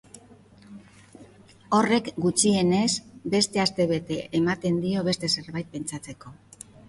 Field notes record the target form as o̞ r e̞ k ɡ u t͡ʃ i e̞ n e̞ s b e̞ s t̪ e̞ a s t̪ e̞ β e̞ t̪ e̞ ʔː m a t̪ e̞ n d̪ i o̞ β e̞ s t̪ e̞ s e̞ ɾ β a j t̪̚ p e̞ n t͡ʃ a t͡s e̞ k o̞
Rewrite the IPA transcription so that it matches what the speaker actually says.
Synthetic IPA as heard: o̞ r e̞ k ɡ u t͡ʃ i e̞ n e̞ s b e̞ s t̪ e̞ a s t̪ e̞ β e̞ t̪ e̞ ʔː m a t̪ e̞ n d̪ i o̞ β e̞ s t̪ e̞ s e̞ ɾ β a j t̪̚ p e̞ n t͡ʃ a t͡s e̞ k o̞

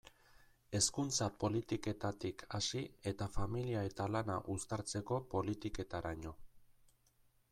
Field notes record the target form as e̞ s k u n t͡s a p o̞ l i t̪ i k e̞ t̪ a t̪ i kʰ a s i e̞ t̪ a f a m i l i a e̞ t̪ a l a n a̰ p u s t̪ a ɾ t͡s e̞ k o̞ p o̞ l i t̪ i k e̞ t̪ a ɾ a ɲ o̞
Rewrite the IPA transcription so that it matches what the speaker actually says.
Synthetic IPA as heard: e̞ s k u n t͡s a p o̞ l i t̪ i k e̞ t̪ a t̪ i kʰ a s i e̞ t̪ a f a m i l i a e̞ t̪ a l a n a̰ ʔ u s t̪ a ɾ t͡s e̞ k o̞ p o̞ l i t̪ i k e̞ t̪ a ɾ a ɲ o̞

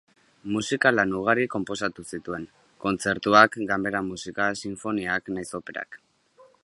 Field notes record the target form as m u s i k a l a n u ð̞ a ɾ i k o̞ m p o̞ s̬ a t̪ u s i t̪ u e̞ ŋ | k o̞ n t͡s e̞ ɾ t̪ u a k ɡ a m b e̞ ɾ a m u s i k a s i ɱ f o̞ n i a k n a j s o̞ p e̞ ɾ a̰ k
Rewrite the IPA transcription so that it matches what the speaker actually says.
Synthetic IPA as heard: m u s i k a l a n u ɣ̞ a ɾ i k o̞ m p o̞ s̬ a t̪ u s i t̪ u e̞ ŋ | k o̞ n t͡s e̞ ɾ t̪ u a k ɡ a m b e̞ ɾ a m u s i k a s i ɱ f o̞ n i a k n a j s o̞ p e̞ ɾ a̰ k

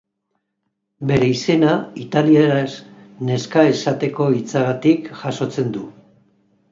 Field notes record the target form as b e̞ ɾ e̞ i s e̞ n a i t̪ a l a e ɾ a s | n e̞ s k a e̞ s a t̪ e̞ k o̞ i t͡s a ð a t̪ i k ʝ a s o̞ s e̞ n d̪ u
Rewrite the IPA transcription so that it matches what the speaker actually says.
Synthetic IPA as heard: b e̞ ɾ e̞ i s e̞ n a i t̪ a l i e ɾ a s | n e̞ s k a e̞ s a t̪ e̞ k o̞ i t͡s a ɣ a t̪ i k ʝ a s o̞ t͡s e̞ n d̪ u

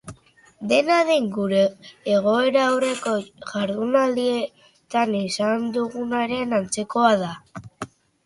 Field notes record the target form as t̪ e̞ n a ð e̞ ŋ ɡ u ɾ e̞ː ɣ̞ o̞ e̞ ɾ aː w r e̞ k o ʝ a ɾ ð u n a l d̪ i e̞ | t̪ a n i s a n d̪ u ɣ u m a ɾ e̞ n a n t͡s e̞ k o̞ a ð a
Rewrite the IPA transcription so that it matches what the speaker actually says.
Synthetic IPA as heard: d̪ e̞ n a ð e̞ ŋ ɡ u ɾ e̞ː ɣ̞ o̞ e̞ ɾ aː w r e̞ k o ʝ a ɾ ð u n a l d̪ i e̞ | t̪ a n i s a n d̪ u ɣ u n a ɾ e̞ n a n t͡s e̞ k o̞ a ð a

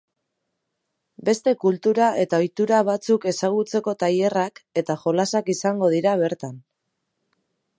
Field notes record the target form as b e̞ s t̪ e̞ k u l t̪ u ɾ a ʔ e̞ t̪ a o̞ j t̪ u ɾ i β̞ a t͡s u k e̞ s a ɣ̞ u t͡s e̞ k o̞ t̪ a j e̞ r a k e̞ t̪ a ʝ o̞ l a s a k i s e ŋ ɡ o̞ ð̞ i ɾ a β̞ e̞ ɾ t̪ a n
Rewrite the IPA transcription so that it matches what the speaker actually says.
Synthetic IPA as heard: b e̞ s t̪ e̞ k u l t̪ u ɾ a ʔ e̞ t̪ a o̞ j t̪ u ɾ a β̞ a t͡s u k e̞ s a ɣ̞ u t͡s e̞ k o̞ t̪ a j e̞ r a k e̞ t̪ a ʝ o̞ l a s a k i s a ŋ ɡ o̞ ð̞ i ɾ a β̞ e̞ ɾ t̪ a n

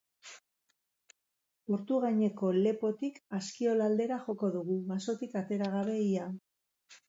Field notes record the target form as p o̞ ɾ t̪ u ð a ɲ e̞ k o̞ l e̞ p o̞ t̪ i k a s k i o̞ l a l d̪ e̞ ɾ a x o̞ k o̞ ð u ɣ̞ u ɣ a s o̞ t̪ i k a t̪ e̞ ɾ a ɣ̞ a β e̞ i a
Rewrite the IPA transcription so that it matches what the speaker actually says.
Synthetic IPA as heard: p o̞ ɾ t̪ u ɣ a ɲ e̞ k o̞ l e̞ p o̞ t̪ i k a s k i o̞ l a l d̪ e̞ ɾ a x o̞ k o̞ ð u ɣ̞ u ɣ a s o̞ t̪ i k a t̪ e̞ ɾ a ɣ̞ a β e̞ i a

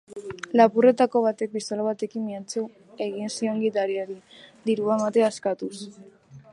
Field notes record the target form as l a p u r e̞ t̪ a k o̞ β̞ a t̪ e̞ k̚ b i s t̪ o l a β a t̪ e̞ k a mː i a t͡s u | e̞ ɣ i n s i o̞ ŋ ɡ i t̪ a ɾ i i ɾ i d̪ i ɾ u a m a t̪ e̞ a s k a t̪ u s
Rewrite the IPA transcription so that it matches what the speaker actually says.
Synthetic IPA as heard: l a p u r e̞ t̪ a k o̞ β̞ a t̪ e̞ k̚ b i s t̪ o l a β a t̪ e̞ k i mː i a t͡s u | e̞ ɣ i n s i o̞ ŋ ɡ i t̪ a ɾ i a ɾ i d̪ i ɾ u a m a t̪ e̞ a s k a t̪ u s

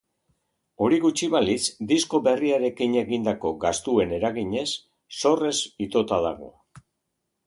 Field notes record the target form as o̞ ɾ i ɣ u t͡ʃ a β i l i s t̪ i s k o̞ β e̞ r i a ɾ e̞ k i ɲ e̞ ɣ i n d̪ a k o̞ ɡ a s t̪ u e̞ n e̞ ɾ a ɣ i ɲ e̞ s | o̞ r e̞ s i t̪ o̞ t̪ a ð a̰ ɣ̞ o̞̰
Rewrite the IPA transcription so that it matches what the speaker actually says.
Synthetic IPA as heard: o̞ ɾ i ɣ u t͡ʃ i β a l i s d̪ i s k o̞ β e̞ r i a ɾ e̞ k i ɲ e̞ ɣ i n d̪ a k o̞ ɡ a s t̪ u e̞ n e̞ ɾ a ɣ i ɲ e̞ sː | o̞ r e̞ s i t̪ o̞ t̪ a ð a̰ ɣ̞ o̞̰

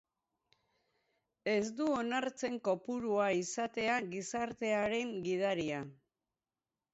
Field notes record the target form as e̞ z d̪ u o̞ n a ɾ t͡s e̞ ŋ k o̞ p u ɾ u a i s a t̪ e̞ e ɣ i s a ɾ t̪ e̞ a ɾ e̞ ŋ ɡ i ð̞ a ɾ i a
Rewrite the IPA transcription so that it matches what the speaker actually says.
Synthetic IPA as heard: e̞ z d̪ u o̞ n a ɾ t͡s e̞ ŋ k o̞ p u ɾ u a i s a t̪ e̞ a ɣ i s a ɾ t̪ e̞ a ɾ e̞ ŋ ɡ i ð̞ a ɾ i a

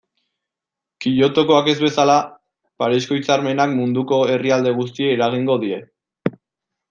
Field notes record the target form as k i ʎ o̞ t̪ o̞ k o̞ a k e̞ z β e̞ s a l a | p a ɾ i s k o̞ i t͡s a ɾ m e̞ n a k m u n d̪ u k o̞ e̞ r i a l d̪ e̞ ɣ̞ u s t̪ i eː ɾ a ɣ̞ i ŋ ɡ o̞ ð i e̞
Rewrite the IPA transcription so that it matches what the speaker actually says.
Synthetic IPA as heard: k i ʎ o̞ t̪ o̞ k o̞ a k e̞ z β e̞ s a l a | p a ɾ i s k o̞ i t͡s a ɾ m e̞ n a k m u n d̪ u k o̞ e̞ r i a l d̪ e̞ ɣ̞ u s t̪ i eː ɾ a ɣ̞ i ŋ ɡ o̞ ð i e̞

